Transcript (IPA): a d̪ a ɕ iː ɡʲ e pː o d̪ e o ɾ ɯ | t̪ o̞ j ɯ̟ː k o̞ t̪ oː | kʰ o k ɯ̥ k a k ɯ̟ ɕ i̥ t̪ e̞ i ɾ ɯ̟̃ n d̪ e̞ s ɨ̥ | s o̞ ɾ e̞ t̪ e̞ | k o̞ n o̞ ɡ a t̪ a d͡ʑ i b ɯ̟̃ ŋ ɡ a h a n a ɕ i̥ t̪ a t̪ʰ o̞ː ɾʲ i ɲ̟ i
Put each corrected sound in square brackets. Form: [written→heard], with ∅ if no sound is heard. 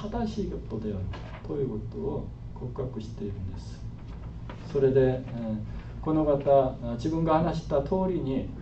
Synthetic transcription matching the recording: a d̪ a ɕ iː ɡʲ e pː o d̪ e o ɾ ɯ | t̪ o̞ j ɯ̟ː k o̞ t̪ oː | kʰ o k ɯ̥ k a k ɯ̟ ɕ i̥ t̪ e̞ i ɾ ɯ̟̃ n d̪ e̞ s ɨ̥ | s o̞ ɾ e̞ [t̪→d̪] e̞ | k o̞ n o̞ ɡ a t̪ a d͡ʑ i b ɯ̟̃ ŋ ɡ a h a n a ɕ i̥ t̪ a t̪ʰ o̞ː ɾʲ i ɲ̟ i